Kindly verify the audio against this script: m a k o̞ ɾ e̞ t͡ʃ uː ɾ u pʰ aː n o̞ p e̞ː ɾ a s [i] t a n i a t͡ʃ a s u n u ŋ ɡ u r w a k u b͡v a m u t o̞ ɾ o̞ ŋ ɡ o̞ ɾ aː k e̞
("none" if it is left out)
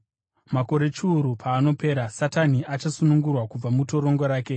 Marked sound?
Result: a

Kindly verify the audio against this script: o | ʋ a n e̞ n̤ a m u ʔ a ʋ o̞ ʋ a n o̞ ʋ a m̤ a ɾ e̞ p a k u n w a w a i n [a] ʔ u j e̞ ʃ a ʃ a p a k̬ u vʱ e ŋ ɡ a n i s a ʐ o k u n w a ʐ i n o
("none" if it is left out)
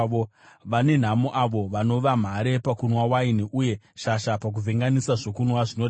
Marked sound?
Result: i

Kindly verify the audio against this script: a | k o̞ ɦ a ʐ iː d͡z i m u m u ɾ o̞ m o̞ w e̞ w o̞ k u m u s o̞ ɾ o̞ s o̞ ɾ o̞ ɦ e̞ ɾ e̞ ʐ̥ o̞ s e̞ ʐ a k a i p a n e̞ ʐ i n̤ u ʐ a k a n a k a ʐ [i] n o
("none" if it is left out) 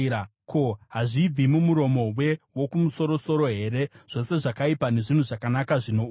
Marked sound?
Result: i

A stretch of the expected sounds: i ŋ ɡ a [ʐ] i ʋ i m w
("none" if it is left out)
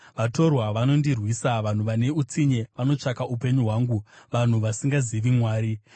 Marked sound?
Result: z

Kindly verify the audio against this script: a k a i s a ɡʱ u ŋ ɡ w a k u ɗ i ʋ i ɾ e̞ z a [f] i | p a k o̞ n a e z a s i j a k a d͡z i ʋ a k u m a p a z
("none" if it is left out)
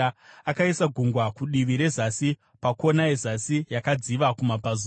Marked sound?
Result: s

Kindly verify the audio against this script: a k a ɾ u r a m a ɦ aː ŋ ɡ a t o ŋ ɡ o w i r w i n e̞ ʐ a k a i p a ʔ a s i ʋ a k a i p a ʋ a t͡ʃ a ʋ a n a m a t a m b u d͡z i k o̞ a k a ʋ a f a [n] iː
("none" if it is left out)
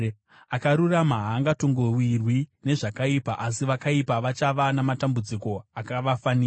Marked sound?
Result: n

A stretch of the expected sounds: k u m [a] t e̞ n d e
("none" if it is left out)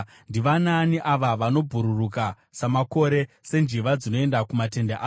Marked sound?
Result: a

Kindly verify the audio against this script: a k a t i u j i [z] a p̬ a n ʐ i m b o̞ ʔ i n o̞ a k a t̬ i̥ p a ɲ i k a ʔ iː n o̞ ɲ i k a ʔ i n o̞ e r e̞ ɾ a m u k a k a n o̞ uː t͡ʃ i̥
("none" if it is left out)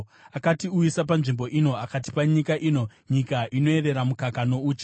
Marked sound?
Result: s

